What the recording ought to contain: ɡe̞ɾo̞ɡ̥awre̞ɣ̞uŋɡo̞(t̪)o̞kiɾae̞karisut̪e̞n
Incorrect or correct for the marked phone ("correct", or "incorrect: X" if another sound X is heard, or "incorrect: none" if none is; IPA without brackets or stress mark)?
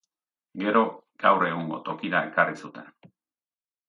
correct